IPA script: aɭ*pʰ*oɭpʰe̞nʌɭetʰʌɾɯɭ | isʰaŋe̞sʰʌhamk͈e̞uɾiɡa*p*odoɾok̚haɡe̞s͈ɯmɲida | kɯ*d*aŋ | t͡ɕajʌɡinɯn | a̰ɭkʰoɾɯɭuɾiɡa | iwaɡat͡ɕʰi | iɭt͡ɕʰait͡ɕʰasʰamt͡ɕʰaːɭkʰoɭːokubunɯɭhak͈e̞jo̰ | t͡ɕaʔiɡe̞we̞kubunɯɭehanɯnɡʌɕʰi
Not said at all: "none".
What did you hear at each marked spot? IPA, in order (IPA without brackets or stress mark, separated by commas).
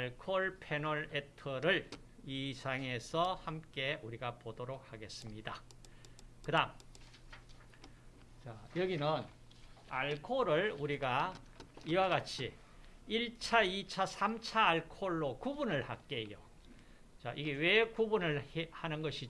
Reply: kʰ, p, d